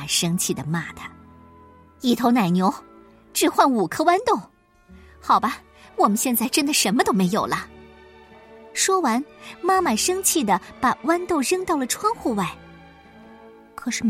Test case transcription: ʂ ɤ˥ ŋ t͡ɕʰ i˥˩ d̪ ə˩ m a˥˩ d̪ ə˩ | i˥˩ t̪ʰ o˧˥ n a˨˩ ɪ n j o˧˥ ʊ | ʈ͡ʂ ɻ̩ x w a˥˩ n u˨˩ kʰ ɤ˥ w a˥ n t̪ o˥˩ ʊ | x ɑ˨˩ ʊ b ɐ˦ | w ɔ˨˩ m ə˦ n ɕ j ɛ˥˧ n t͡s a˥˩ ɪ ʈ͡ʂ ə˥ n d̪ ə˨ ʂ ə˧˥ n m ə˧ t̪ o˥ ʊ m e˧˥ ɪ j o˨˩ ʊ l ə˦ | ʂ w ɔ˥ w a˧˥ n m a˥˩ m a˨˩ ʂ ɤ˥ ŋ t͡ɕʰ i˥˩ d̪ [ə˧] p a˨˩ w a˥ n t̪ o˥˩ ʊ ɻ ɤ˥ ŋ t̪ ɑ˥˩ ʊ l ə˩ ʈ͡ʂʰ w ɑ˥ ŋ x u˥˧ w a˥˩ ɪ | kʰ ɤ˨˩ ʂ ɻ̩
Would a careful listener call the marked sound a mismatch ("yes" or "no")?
yes